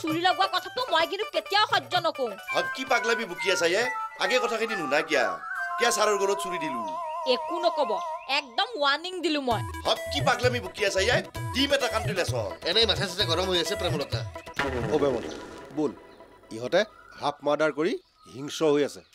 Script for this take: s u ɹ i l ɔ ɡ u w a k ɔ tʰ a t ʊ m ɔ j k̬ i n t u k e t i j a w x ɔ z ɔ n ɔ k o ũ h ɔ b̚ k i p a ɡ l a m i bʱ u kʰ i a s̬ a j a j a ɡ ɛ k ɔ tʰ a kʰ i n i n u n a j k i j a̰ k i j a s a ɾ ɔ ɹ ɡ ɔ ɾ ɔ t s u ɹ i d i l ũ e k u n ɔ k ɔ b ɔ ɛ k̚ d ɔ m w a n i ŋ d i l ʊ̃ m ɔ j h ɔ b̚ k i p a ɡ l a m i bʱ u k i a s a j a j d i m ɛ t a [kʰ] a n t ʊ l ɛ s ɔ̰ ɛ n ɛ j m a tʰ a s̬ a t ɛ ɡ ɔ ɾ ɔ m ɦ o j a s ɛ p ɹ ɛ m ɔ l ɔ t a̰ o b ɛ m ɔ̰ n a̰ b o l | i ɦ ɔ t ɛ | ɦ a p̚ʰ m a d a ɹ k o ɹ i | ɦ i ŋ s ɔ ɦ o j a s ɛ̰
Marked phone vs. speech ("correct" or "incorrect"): incorrect